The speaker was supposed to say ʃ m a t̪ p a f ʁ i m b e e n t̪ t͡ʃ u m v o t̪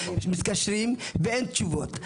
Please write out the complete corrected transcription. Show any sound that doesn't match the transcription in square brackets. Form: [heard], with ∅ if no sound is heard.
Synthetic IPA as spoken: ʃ m [i] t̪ [k] a [ʃ] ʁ i m [v] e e n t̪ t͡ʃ u [∅] v o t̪